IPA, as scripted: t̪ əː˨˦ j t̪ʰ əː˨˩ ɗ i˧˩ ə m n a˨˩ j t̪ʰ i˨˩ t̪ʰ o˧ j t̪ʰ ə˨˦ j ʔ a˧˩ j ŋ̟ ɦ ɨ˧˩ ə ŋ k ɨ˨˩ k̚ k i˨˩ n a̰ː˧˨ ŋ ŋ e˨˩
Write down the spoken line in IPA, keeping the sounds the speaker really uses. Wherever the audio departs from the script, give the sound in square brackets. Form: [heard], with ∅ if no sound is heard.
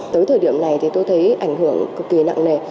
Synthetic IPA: t̪ əː˨˦ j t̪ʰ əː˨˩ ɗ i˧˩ ə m n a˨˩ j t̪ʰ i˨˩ [t̪] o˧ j t̪ʰ ə˨˦ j ʔ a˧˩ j ŋ̟ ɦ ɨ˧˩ ə ŋ k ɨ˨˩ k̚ k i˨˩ n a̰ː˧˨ ŋ [n] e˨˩